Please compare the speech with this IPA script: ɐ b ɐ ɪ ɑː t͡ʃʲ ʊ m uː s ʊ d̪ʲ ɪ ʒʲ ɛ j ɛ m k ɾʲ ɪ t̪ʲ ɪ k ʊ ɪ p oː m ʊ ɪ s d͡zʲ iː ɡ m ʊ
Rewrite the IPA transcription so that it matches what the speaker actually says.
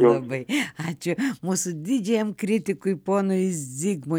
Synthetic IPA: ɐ b ɐ ɪ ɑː t͡ʃʲ ʊ m uː s ʊ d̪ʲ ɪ d͡ʒʲ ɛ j ɛ m k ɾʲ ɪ t̪ʲ ɪ k ʊ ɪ p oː n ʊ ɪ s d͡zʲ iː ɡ m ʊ